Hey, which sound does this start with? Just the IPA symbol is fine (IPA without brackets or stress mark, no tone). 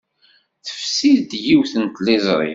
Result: θ